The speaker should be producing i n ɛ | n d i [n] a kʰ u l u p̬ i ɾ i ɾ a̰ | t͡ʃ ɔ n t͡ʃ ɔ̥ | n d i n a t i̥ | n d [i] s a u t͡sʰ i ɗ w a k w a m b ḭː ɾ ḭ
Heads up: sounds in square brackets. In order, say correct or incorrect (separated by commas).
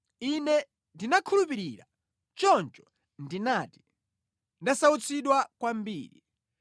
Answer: correct, incorrect